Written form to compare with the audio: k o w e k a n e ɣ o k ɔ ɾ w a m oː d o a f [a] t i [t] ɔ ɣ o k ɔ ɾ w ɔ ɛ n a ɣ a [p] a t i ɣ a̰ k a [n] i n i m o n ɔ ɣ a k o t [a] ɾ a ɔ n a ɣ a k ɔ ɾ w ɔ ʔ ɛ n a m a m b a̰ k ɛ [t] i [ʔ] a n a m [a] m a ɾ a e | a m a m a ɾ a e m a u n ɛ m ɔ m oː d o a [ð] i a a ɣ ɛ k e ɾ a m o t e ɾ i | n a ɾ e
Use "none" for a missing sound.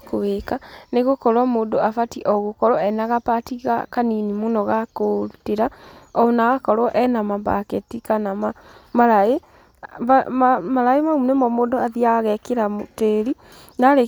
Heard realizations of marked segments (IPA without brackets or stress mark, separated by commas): a, ʔ, p, n, e, t, k, a, ð